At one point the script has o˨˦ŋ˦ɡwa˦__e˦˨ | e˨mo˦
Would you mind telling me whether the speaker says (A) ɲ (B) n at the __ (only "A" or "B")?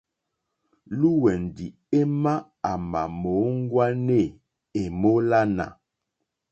B